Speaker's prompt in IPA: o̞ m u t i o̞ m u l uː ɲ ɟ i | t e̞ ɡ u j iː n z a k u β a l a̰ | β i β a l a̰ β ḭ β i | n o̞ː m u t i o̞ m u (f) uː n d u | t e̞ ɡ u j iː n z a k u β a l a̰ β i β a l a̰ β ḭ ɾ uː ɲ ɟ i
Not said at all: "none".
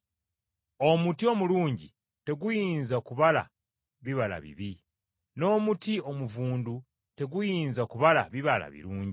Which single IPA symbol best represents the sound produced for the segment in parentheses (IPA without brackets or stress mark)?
v